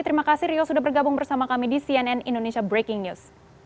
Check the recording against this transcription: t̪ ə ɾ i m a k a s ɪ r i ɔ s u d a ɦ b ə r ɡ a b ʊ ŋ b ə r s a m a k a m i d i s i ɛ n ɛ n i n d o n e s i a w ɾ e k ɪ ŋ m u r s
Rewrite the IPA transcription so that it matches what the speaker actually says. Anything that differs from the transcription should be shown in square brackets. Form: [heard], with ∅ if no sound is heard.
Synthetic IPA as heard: t̪ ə ɾ i m a k a s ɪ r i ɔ s u d a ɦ b ə r ɡ a b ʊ ŋ b ə r s a m a k a m i d i s i ɛ n ɛ n i n d o n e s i a [b] ɾ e k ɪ ŋ [n] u [∅] s

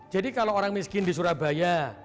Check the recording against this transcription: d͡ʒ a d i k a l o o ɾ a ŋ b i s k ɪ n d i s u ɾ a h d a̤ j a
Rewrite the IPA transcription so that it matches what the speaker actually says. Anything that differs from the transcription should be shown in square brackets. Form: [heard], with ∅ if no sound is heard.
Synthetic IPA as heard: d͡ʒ a d i k a l o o ɾ a ŋ [m] i s k ɪ n d i s u ɾ a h [b] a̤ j a

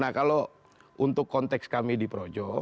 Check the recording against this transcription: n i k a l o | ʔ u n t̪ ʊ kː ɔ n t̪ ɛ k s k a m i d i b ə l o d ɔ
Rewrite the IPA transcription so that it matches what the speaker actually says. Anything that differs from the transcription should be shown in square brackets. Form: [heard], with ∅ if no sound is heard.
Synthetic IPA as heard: n [a] k a l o | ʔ u n t̪ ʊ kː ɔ n t̪ ɛ k s k a m i d i [p] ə [ɾ] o [d͡ʒ] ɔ

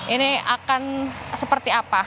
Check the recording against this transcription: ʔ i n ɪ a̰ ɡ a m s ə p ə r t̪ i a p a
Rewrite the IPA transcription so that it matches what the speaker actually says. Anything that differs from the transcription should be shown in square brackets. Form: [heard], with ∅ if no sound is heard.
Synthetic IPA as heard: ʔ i n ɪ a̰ [k] a [n] s ə p ə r t̪ i a p a

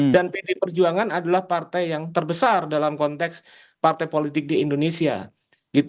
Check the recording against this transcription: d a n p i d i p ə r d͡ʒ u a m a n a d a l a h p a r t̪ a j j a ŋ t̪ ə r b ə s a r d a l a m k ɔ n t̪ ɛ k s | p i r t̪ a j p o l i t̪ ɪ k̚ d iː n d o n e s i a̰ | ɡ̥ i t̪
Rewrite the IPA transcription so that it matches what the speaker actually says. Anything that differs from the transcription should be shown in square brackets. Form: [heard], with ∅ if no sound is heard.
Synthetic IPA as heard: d a n p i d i p ə r d͡ʒ u a [ŋ] a n a d a l a h p a r t̪ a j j a ŋ t̪ ə r b ə s a r d a l a m k ɔ n t̪ ɛ k s | p [a] r t̪ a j p o l i t̪ ɪ k̚ d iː n d o n e s i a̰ | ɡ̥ i t̪

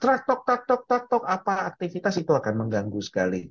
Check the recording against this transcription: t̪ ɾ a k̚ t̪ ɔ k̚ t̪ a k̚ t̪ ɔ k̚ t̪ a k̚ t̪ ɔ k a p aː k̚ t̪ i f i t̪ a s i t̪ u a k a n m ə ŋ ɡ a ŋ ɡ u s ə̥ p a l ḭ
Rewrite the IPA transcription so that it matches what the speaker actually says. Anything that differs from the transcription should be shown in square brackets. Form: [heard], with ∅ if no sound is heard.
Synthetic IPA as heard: t̪ ɾ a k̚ t̪ ɔ k̚ t̪ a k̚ t̪ ɔ k̚ t̪ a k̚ t̪ ɔ k a p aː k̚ t̪ i f i t̪ a s i t̪ u a k a n m ə ŋ ɡ a ŋ ɡ u s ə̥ [k] a l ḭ

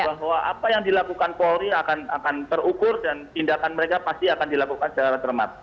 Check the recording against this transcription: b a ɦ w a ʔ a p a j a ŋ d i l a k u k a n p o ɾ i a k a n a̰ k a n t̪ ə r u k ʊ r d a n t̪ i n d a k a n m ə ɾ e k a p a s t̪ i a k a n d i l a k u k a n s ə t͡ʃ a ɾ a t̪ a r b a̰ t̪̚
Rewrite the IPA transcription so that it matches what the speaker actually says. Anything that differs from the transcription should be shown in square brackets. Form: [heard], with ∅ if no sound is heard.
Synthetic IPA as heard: b a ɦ w a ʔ a p a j a ŋ d i l a k u k a n p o ɾ i a k a n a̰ k a n t̪ ə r u k ʊ r d a n t̪ i n d a k a n m ə ɾ e k a p a s t̪ i a k a n d i l a k u k a n s ə t͡ʃ a ɾ a t̪ [ə] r [m] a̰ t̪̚

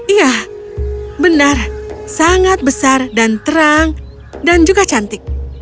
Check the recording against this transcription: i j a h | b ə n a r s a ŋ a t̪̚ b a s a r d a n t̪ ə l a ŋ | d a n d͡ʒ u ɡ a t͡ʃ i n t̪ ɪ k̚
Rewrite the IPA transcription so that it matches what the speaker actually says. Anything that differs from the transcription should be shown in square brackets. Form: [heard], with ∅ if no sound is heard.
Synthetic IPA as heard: i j a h | b ə n a r s a ŋ a t̪̚ b [ə] s a r d a n t̪ ə [ɾ] a ŋ | d a n d͡ʒ u ɡ a t͡ʃ [a] n t̪ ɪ k̚

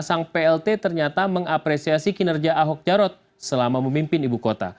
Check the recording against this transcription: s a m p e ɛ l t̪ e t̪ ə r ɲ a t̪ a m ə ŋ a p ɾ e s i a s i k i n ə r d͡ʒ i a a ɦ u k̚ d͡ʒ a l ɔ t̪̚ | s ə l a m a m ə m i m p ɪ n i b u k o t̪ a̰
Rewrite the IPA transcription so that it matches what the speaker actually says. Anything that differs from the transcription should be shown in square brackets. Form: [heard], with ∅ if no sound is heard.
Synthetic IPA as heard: s a [ŋ] p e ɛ l t̪ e t̪ ə r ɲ a t̪ a m ə ŋ a p ɾ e s i a s i k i n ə r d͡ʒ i a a ɦ [ɔ] k̚ d͡ʒ a [ɾ] ɔ t̪̚ | s ə l a m a m ə m i m p ɪ n i b u k o t̪ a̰

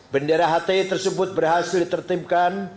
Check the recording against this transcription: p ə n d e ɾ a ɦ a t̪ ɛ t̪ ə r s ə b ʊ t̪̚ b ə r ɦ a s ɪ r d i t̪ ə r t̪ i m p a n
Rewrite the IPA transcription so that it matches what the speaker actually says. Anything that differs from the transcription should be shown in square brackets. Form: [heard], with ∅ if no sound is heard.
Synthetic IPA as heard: [b] ə n d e ɾ a ɦ a t̪ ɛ t̪ ə r s ə b ʊ t̪̚ b ə r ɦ a s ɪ [l] d i t̪ ə r t̪ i m [k] a n

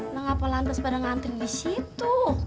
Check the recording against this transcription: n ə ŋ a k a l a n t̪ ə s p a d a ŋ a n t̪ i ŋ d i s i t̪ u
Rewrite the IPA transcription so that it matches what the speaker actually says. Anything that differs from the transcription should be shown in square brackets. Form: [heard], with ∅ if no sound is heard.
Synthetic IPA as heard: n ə ŋ a [p] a l a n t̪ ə s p a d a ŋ a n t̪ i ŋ d i s i t̪ u

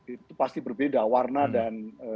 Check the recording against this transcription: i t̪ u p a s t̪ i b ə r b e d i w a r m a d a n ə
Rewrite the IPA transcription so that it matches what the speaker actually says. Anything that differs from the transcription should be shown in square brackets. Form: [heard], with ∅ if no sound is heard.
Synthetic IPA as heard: i t̪ u p a s t̪ i b ə r b e d [a] w a r [n] a d a n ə

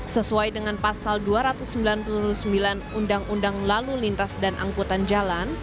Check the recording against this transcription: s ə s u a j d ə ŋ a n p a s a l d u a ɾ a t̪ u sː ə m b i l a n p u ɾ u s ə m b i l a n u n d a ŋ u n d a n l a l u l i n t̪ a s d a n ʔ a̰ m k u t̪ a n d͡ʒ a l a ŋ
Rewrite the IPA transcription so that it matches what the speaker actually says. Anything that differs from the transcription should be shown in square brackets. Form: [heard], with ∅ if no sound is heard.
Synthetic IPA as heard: s ə s u a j d ə ŋ a n p a s a l d u a ɾ a t̪ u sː ə m b i l a n p u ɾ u s ə m b i l a n u n d a ŋ u n d a [ŋ] l a l u l i n t̪ a s d a n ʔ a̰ [ŋ] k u t̪ a n d͡ʒ a l a [n]

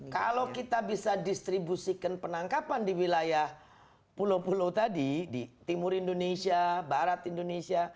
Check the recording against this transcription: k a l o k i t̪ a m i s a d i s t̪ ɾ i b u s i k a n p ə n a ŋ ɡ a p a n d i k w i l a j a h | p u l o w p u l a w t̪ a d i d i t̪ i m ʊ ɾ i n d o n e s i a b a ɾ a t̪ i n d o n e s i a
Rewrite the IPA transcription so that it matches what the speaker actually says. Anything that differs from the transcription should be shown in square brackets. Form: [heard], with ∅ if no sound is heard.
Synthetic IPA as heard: k a l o k i t̪ a [b] i s a d i s t̪ ɾ i b u s i k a n p ə n a ŋ [k] a p a n d i [∅] w i l a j a h | p u l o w p u l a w t̪ a d i d i t̪ i m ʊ ɾ i n d o n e s i a b a ɾ a t̪ i n d o n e s i a

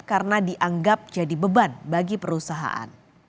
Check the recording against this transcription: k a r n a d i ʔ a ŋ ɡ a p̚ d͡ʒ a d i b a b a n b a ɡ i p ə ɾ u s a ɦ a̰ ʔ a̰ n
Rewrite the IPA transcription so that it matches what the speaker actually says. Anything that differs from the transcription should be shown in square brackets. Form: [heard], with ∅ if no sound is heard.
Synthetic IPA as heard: k a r n a d i ʔ a ŋ ɡ a p̚ d͡ʒ a d i b [ə] b a n b a ɡ i p ə ɾ u s a ɦ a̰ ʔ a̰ n

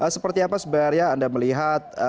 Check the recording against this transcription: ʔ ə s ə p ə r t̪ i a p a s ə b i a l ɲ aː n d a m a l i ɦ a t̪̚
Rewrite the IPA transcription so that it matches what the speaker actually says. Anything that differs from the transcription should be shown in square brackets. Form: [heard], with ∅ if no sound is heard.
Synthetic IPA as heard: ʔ ə s ə p ə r t̪ i a p a s ə b [a] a [r] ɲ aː n d a m [ə] l i ɦ a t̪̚

